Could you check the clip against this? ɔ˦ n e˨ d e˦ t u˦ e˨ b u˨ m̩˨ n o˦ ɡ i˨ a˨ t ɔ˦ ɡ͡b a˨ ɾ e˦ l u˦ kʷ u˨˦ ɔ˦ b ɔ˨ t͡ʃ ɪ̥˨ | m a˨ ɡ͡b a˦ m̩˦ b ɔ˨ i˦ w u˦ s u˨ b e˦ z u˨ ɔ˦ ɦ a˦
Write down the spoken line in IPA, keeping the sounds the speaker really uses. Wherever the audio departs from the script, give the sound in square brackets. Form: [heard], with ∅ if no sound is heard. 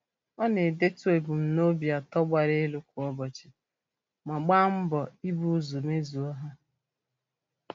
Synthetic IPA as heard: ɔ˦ n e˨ d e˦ t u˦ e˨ b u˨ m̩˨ n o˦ [b] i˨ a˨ t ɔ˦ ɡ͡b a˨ ɾ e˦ l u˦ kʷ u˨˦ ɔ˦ b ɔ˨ t͡ʃ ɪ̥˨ | m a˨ ɡ͡b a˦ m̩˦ b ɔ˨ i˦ [b] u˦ [z] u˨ [m] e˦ z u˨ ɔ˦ ɦ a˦